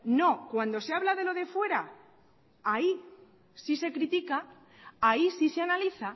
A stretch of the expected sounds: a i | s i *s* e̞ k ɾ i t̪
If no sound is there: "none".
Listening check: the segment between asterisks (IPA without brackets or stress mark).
s